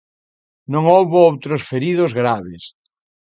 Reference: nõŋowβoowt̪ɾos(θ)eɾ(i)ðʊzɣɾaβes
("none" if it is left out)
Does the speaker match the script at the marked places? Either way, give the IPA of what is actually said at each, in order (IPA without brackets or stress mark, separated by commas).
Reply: f, i